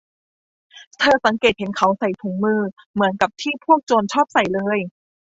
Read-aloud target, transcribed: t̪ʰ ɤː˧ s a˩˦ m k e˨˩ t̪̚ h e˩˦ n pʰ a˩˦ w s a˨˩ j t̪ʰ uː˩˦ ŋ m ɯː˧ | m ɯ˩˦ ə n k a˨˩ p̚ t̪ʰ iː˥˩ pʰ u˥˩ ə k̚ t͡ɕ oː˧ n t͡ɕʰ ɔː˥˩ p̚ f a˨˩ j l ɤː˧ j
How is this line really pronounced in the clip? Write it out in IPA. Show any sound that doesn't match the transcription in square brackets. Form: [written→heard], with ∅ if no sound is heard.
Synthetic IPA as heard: t̪ʰ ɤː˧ s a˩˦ [m→ŋ] k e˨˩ t̪̚ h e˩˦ n [pʰ→kʰ] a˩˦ w s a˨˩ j t̪ʰ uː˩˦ ŋ m ɯː˧ | m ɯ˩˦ ə n k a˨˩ p̚ t̪ʰ iː˥˩ pʰ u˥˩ ə k̚ t͡ɕ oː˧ n t͡ɕʰ ɔː˥˩ p̚ [f→s] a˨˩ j l ɤː˧ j